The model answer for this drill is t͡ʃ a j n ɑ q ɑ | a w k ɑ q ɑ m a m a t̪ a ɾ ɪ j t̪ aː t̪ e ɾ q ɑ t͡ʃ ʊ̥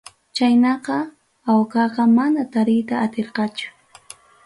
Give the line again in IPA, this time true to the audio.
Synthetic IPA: t͡ʃ a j n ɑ q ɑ | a w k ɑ q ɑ m a n a t̪ a ɾ ɪ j t̪ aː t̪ e ɾ q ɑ t͡ʃ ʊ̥